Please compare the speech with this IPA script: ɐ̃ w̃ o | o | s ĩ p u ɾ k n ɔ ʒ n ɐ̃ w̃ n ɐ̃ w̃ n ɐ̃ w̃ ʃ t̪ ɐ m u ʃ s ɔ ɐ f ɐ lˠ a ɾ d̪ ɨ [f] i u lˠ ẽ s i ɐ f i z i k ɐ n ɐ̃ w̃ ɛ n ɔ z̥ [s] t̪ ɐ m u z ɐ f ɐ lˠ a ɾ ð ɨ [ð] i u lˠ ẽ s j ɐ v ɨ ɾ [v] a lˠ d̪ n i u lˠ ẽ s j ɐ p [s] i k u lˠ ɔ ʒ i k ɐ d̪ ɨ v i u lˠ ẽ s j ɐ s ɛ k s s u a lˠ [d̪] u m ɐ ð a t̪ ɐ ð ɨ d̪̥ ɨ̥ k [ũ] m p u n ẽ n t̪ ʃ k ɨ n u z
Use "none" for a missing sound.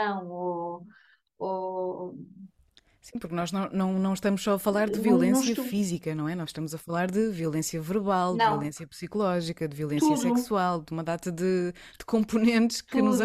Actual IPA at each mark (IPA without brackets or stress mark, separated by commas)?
v, ʃ, v, β, s, d̪, õ